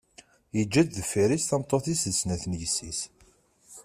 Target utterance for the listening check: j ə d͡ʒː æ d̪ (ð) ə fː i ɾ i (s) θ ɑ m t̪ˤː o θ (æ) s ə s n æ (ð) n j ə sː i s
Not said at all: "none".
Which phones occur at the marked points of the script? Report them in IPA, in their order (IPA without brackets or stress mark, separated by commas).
ð, s, i, θ